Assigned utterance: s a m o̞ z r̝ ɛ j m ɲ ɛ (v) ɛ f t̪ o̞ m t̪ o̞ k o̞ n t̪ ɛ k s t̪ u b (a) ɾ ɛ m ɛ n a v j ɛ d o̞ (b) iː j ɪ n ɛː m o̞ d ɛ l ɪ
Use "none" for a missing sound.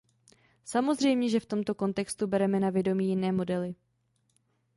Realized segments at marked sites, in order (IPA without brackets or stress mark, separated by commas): ʒ, ɛ, m